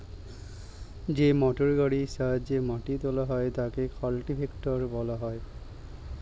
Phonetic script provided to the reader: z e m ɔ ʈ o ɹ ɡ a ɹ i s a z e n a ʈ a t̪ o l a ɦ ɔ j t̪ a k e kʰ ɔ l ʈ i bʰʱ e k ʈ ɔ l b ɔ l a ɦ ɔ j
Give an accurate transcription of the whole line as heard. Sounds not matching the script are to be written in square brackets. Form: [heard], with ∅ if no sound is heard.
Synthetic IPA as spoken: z e m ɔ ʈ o ɹ ɡ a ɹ i s a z e [m] a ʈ [i] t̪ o l a ɦ ɔ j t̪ a k e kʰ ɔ l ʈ i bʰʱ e k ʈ ɔ [ɹ] b ɔ l a ɦ ɔ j